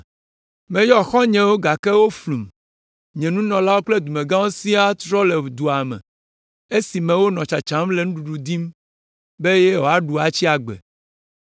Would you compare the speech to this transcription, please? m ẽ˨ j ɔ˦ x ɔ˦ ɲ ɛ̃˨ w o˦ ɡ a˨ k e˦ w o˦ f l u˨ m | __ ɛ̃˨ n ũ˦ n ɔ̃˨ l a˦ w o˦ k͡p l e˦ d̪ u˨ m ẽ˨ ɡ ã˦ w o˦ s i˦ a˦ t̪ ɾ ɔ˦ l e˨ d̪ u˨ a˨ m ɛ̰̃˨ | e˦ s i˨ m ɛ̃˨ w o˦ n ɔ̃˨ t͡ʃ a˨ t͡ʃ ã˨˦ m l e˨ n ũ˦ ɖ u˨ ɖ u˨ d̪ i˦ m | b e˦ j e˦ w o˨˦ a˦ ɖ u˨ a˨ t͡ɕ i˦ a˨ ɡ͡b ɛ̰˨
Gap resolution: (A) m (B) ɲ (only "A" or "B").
B